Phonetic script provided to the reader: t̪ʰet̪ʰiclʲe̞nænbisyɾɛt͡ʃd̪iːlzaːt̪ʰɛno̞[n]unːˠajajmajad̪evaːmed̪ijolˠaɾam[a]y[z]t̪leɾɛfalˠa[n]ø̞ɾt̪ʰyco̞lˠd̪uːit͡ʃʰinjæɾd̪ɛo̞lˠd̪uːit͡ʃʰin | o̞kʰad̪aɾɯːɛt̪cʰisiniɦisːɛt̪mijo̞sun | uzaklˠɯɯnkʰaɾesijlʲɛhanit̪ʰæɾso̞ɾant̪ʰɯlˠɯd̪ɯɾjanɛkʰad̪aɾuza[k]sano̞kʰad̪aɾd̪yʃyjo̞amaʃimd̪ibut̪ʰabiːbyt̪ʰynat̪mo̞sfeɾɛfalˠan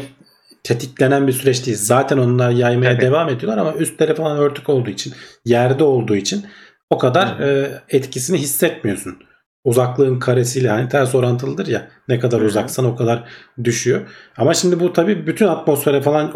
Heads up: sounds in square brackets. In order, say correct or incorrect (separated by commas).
correct, correct, incorrect, correct, correct